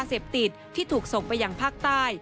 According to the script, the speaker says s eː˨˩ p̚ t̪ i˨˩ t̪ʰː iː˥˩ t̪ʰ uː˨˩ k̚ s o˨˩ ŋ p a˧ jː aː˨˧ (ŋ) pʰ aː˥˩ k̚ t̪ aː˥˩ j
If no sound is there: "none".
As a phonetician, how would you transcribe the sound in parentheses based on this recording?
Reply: ŋ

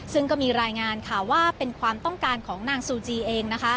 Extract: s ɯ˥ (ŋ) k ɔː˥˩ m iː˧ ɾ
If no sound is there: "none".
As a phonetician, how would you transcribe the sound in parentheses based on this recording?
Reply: ŋ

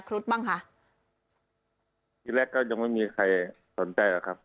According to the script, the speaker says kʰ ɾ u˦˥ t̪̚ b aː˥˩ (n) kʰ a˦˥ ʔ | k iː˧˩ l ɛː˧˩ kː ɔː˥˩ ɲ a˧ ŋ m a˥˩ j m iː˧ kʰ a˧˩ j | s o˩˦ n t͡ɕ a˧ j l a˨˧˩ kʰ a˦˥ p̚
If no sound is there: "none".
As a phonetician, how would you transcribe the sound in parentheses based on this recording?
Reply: ŋ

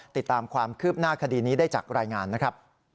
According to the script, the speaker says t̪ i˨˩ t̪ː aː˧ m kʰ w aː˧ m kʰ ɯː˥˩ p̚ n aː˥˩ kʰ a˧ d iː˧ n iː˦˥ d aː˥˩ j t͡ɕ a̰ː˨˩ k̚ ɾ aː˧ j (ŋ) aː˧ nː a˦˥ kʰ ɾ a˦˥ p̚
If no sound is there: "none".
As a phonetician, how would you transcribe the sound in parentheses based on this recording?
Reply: ŋ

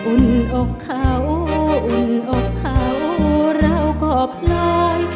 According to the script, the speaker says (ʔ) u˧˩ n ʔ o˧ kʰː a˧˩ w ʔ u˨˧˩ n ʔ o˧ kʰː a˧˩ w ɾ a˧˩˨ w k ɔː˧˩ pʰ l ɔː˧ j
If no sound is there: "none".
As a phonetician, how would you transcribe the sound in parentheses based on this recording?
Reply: ʔ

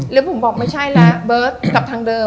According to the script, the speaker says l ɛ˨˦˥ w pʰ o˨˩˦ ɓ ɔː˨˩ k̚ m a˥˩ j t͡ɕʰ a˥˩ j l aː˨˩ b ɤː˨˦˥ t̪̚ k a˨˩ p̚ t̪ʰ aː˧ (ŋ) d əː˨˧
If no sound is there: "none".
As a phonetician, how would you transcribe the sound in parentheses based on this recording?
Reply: ŋ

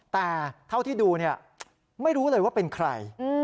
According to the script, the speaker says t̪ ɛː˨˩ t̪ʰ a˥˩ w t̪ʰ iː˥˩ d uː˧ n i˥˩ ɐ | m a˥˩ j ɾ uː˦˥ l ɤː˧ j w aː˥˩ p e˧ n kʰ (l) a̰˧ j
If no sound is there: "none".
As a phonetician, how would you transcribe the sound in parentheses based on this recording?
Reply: ɾ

